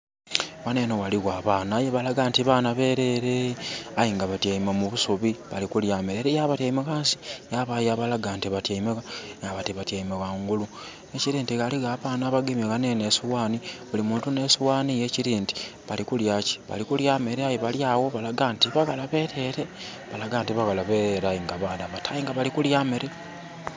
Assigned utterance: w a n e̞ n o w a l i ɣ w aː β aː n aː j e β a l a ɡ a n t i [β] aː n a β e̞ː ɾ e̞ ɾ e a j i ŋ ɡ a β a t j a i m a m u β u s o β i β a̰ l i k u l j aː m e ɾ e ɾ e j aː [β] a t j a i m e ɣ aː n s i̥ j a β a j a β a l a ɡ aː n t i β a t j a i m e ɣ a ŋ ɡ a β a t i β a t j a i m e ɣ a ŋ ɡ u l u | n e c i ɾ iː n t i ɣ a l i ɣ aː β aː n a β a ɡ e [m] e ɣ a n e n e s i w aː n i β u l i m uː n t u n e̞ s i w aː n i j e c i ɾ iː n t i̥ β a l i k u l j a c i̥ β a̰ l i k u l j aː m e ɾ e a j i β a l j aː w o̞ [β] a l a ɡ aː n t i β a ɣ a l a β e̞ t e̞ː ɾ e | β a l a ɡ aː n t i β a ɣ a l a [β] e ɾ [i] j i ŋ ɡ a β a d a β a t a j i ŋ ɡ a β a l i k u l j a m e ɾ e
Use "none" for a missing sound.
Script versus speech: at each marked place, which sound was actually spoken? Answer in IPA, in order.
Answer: β, β, m, β, β, a

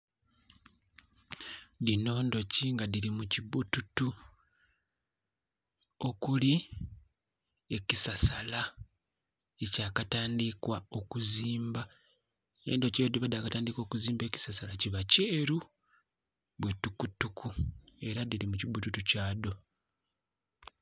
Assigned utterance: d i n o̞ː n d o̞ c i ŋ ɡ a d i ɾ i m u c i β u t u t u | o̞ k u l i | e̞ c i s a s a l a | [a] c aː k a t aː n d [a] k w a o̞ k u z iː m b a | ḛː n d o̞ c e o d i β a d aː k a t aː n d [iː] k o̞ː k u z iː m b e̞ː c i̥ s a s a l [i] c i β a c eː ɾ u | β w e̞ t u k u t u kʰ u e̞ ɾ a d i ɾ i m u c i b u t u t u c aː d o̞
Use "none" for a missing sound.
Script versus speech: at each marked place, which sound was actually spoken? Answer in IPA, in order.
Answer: e, i, i, a

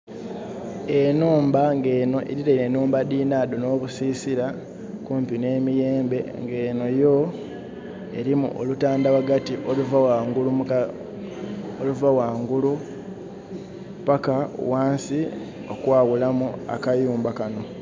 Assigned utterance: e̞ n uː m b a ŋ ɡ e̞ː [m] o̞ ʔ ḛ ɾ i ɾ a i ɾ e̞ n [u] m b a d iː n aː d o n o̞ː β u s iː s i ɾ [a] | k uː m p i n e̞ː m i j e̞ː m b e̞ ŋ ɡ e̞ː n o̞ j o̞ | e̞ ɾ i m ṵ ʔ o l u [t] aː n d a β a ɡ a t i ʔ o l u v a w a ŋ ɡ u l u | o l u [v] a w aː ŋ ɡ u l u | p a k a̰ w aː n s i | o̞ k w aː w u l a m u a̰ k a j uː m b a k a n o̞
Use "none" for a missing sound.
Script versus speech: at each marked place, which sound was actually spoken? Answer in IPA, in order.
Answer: n, uː, a, t, v

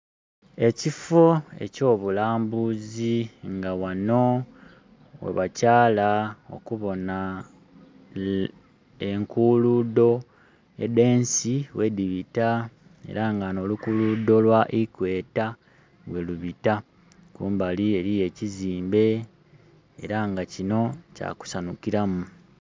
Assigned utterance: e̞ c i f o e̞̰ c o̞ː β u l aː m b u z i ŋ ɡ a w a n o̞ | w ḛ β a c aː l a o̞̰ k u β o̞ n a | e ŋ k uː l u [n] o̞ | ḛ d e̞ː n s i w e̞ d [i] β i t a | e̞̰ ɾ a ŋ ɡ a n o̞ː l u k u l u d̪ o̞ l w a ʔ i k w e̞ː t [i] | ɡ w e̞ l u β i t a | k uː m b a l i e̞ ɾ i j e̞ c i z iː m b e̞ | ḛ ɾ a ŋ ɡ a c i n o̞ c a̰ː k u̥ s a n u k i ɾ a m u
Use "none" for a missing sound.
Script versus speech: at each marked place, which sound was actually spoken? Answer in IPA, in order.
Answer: d, i, a

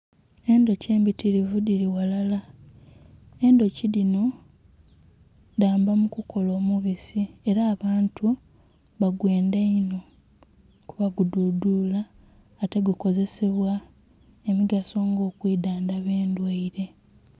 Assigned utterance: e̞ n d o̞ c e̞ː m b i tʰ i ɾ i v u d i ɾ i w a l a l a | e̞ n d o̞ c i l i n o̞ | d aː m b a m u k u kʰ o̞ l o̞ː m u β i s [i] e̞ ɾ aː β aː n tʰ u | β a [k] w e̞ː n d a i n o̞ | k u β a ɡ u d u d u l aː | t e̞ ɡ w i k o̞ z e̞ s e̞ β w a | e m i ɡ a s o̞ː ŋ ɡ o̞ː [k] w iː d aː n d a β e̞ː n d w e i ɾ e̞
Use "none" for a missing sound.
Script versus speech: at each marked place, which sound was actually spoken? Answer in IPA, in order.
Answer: i, ɡ, k

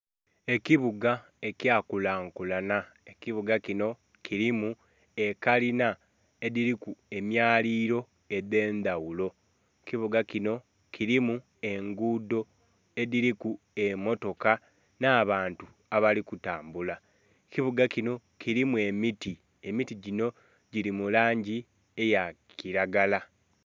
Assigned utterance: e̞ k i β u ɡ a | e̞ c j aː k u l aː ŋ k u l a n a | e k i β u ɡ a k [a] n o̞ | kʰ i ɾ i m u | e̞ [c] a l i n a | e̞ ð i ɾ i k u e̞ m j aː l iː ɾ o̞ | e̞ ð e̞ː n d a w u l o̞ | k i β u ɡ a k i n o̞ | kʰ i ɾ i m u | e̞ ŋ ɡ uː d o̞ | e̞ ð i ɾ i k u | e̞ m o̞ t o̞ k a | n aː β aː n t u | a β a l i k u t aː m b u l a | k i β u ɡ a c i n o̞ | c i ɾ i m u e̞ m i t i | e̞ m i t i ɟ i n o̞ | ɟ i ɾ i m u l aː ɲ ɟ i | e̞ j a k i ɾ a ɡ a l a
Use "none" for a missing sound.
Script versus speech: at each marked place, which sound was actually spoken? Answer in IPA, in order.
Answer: i, k

